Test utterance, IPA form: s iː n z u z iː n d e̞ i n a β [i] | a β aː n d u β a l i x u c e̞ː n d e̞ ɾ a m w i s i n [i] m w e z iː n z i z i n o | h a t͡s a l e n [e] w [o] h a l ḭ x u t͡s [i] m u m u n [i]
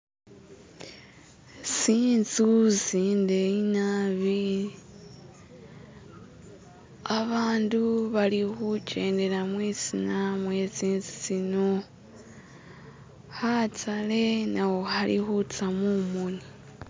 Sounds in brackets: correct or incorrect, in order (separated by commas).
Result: correct, incorrect, incorrect, correct, incorrect, correct